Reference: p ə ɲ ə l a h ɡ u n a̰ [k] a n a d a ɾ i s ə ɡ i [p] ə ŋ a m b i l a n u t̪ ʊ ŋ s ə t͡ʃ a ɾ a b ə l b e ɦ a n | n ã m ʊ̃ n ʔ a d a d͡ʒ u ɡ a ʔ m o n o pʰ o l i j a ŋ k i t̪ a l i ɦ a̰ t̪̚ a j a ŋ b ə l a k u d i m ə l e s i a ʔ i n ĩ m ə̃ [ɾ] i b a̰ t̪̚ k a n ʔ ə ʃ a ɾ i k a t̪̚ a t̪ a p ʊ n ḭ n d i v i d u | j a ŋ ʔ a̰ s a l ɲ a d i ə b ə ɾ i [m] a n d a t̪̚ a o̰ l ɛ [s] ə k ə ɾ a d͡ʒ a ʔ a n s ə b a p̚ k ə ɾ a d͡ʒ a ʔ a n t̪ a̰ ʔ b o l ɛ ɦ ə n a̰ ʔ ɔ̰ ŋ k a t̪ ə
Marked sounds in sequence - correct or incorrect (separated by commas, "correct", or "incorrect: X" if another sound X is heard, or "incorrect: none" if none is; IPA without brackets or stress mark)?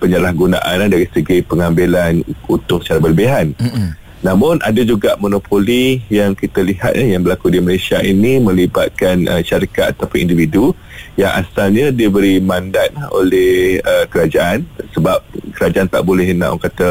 incorrect: ʔ, correct, incorrect: l, correct, incorrect: h